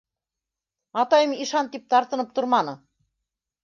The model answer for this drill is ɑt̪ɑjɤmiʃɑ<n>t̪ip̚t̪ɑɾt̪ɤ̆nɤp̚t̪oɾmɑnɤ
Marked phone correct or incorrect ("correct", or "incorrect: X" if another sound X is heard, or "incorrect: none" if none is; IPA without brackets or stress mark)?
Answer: correct